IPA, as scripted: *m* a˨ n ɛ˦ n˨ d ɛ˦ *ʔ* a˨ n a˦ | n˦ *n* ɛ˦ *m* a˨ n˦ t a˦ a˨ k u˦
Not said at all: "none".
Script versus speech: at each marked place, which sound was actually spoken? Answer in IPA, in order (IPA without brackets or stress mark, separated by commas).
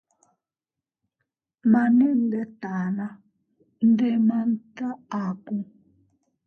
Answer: m, t, d, m